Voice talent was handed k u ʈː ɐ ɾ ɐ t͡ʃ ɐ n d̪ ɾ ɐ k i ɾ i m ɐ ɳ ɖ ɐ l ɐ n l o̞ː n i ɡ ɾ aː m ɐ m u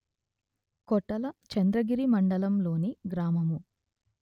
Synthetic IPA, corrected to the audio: k ɔ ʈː ɐ l ɐ t͡ʃ ɐ n d̪ ɾ ɐ ɡ i ɾ i m ɐ ɳ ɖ ɐ l ɐ m l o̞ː n i ɡ ɾ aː m ɐ m u